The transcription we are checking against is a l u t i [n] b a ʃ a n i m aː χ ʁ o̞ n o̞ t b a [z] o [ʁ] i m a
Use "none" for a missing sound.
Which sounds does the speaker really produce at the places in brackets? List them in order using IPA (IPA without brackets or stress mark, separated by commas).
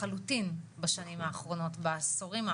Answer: n, s, ʁ